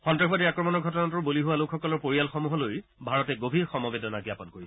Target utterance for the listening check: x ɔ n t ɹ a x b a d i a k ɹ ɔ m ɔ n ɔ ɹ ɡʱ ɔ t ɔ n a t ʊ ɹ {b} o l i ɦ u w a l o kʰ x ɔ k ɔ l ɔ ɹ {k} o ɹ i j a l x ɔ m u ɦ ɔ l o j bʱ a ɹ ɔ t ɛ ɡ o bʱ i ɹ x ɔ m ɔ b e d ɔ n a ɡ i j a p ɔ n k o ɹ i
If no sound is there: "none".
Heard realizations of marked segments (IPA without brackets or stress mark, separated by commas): b, p